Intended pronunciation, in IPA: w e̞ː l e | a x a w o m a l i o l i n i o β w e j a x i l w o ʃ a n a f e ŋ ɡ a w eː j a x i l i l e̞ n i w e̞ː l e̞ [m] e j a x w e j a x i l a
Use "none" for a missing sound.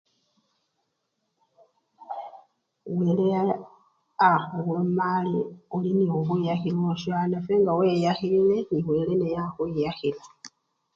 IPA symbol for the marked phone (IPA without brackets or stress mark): n